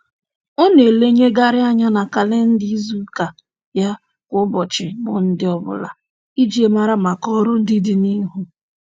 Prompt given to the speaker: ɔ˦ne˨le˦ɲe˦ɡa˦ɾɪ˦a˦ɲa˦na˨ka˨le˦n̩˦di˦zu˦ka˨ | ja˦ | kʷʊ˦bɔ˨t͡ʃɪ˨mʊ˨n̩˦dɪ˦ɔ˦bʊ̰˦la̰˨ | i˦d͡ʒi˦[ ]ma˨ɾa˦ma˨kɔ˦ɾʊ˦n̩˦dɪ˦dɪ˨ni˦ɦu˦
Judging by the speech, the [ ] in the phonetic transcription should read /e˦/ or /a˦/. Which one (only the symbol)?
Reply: e˦